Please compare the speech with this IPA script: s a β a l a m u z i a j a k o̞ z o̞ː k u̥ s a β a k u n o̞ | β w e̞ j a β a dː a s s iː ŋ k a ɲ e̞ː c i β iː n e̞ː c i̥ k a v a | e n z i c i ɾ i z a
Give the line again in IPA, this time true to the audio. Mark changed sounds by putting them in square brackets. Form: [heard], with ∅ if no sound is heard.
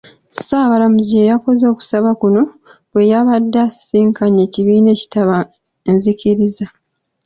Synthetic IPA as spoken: s a β a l a m u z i [e] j a k o̞ z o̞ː k u̥ s a β a k u n o̞ | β w e̞ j a β a dː a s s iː ŋ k a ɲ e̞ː c i β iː n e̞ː c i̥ [t] a [β] a | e n z i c i ɾ i z a